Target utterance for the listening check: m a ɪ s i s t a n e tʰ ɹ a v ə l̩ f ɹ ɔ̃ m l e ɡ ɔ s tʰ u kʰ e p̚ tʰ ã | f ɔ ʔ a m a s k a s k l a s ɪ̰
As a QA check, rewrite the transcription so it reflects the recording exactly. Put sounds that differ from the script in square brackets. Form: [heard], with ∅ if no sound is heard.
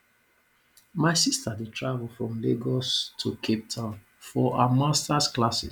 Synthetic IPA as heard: m a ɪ s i s t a [d] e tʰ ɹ a v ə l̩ f ɹ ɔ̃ m l e ɡ ɔ s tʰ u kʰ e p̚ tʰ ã | f ɔ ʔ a m a s [t] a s k l a s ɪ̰